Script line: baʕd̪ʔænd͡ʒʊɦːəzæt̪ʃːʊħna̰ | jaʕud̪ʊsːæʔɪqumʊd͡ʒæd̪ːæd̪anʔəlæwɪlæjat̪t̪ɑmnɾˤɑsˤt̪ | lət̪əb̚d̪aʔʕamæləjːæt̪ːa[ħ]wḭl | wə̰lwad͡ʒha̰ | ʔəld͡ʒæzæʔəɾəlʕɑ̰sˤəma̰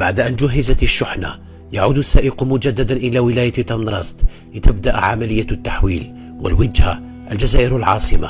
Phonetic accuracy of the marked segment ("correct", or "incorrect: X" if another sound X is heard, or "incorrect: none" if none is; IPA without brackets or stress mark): correct